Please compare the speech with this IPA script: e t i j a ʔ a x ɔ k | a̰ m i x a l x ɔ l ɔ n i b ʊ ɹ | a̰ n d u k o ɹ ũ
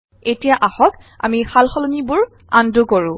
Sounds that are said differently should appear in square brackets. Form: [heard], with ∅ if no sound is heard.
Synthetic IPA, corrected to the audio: e t i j a ʔ a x ɔ k | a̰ m i x a l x ɔ l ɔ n i b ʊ ɹ | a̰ n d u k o ɹ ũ

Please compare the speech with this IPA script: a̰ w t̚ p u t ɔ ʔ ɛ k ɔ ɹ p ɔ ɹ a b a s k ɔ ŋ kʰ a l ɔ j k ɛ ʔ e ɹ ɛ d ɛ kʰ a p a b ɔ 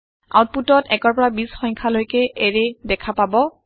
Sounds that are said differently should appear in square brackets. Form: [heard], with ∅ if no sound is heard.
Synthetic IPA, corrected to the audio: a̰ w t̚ p u t ɔ [t] ɛ k ɔ ɹ p ɔ ɹ a b [i] s [x] ɔ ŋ kʰ a l [o] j k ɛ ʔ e ɹ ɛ d ɛ kʰ a p a b ɔ

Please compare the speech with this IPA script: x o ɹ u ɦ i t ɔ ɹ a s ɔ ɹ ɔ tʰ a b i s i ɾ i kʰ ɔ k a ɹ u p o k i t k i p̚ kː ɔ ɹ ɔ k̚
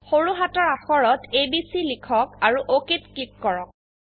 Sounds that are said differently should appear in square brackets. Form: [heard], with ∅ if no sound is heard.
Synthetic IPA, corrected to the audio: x o ɹ u ɦ [a] t ɔ ɹ a [x] ɔ ɹ ɔ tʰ [e] b i s i [l] i kʰ ɔ k a ɹ u [ʔ] o k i t k i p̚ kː ɔ ɹ ɔ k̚

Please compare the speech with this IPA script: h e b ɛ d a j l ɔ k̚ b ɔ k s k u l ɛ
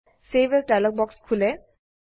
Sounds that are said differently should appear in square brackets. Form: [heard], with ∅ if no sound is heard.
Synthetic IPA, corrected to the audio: [s] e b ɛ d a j l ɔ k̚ b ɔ k s [kʰ] u l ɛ

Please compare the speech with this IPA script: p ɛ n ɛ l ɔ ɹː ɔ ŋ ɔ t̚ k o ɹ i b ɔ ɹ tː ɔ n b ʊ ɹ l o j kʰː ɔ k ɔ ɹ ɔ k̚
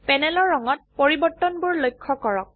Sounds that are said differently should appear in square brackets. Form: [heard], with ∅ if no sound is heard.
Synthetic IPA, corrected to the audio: p ɛ n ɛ l ɔ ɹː ɔ ŋ ɔ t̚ [p] o ɹ i b ɔ ɹ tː ɔ n b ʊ ɹ l o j kʰː ɔ k ɔ ɹ ɔ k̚

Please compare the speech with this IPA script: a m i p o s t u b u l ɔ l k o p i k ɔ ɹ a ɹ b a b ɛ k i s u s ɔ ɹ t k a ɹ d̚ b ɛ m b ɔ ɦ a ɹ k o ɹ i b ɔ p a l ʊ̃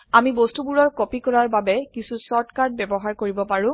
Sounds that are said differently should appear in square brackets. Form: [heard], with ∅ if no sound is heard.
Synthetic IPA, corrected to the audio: a m i [b] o s t u b u [ɹ] ɔ [ɹ] k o p i k ɔ ɹ a ɹ b a b ɛ k i s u s ɔ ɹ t k a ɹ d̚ b ɛ [∅] b ɔ ɦ a ɹ k o ɹ i b ɔ p a [ɹ] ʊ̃

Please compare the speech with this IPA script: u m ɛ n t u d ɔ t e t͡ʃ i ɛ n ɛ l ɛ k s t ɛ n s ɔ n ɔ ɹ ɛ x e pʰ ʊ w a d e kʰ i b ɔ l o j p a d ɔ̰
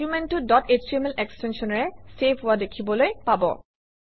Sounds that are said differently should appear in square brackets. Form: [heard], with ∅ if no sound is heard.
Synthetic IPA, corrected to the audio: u m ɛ n t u d ɔ t e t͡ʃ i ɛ [m] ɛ l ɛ k s t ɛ n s ɔ n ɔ ɹ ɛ [s] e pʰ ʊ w a d e kʰ i b ɔ l o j p a [b] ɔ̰

